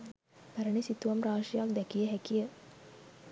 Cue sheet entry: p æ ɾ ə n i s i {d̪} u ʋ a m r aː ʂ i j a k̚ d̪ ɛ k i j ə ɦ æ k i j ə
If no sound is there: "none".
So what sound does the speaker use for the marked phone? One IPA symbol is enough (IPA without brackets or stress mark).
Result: t̪